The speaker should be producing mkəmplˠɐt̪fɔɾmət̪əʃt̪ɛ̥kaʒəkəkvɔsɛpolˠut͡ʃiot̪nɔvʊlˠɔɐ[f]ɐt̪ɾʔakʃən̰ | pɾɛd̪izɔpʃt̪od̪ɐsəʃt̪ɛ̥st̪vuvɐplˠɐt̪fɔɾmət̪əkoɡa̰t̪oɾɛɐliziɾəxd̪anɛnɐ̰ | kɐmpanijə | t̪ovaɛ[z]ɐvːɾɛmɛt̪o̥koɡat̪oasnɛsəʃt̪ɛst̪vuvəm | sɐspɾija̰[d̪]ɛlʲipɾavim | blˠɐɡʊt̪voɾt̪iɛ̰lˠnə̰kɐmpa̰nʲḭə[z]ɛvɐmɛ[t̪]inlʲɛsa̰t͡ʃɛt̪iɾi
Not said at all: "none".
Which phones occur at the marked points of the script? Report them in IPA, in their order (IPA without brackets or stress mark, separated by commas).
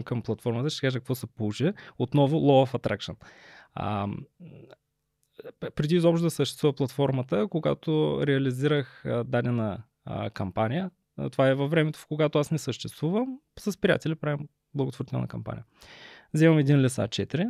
f, v, t̪, z, d̪